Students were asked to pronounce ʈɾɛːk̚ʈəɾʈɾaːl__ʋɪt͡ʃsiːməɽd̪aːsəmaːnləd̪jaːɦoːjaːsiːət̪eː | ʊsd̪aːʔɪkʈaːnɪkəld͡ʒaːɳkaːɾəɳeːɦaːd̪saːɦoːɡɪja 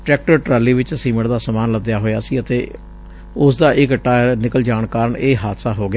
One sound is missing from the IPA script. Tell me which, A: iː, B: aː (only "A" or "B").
A